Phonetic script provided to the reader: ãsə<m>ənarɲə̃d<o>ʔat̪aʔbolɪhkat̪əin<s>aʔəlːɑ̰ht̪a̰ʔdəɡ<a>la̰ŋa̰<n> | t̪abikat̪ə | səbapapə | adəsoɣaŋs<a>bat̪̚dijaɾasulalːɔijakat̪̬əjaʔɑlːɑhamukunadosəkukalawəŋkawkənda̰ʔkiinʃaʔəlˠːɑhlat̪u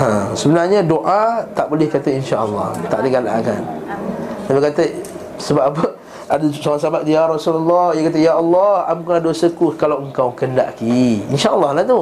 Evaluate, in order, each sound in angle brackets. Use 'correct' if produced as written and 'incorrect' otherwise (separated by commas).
incorrect, correct, incorrect, correct, correct, correct